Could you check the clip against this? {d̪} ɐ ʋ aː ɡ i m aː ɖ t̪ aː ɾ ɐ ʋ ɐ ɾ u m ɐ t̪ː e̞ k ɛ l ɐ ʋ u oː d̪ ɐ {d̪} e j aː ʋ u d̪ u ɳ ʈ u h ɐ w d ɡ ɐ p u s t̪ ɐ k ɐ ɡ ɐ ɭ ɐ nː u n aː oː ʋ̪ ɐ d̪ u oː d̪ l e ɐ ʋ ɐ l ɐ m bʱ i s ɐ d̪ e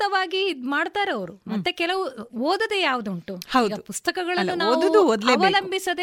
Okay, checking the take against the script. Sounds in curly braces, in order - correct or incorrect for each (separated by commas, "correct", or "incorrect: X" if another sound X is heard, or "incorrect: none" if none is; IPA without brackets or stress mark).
incorrect: t̪, correct